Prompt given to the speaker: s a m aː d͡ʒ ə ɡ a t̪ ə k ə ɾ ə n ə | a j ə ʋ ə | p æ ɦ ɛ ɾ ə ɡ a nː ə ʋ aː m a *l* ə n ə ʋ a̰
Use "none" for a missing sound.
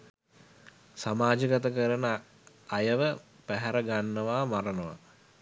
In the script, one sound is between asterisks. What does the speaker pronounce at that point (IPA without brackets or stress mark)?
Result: ɾ